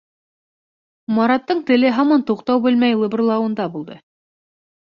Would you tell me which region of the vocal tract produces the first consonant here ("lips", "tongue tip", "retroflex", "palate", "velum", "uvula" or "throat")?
lips